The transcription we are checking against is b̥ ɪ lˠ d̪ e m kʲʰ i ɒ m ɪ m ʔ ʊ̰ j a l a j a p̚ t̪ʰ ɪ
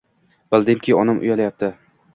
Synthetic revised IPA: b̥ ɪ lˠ d̪ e m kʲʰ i ɒ n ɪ m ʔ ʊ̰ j a l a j a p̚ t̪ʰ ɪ